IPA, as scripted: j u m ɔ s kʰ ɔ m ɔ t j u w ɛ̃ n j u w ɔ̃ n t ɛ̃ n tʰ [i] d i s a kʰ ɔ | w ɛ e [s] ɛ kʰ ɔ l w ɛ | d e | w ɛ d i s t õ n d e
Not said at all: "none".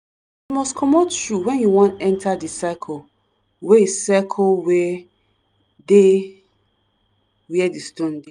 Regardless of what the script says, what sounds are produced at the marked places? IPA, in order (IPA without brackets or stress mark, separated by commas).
a, s